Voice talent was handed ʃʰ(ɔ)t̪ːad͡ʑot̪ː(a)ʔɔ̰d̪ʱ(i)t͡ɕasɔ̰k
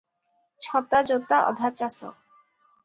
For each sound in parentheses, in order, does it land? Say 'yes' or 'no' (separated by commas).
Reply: yes, yes, no